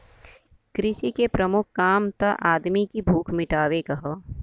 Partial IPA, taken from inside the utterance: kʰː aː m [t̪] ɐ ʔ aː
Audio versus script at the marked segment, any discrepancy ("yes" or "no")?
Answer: no